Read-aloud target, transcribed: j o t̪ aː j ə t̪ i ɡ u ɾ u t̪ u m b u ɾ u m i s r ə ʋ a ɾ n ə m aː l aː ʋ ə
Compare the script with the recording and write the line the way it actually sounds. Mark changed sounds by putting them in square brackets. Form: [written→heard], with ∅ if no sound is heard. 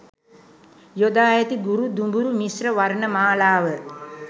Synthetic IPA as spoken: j o [t̪→d̪] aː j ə t̪ i ɡ u ɾ u [t̪→d̪] u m b u ɾ u m i s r ə ʋ a ɾ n ə m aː l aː ʋ ə